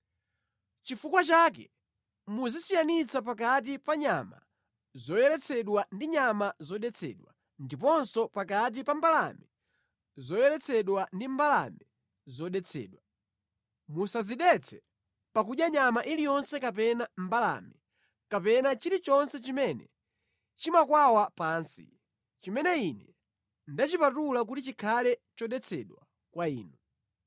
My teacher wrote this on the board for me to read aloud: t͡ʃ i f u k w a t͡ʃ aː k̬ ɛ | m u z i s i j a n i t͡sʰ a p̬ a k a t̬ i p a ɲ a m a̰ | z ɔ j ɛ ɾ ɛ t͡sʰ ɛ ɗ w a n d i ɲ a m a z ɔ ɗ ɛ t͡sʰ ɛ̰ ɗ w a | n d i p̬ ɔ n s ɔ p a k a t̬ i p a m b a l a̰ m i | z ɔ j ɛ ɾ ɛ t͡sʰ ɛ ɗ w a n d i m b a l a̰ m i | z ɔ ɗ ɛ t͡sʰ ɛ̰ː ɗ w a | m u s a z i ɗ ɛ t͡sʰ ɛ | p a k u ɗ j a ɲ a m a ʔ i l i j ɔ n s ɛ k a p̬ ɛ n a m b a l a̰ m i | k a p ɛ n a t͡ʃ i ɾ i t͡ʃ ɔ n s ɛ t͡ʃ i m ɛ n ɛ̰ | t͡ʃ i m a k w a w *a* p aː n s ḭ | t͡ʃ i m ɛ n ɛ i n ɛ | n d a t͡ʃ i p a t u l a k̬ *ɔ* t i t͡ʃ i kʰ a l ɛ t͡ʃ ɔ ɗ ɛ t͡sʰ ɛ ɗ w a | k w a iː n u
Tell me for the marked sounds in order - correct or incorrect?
correct, incorrect: u

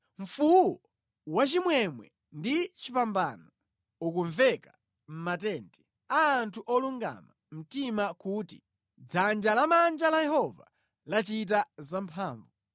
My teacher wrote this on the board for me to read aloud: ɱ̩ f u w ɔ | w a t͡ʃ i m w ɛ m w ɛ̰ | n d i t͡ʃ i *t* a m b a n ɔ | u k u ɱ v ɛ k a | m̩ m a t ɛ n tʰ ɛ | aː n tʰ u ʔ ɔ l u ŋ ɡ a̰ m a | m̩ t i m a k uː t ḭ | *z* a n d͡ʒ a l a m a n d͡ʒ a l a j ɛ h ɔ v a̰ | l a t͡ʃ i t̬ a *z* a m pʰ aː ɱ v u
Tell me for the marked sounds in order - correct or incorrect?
incorrect: p, incorrect: d͡z, correct

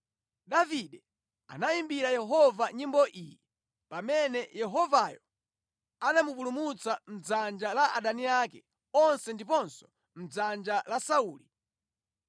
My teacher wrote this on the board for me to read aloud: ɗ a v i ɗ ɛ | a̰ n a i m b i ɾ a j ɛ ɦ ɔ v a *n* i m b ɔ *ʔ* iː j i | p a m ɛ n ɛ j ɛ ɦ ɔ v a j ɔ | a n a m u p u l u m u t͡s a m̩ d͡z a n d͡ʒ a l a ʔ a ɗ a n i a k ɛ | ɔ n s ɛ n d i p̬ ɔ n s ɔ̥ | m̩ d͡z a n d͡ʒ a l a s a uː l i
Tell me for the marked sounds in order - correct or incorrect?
incorrect: ɲ, correct

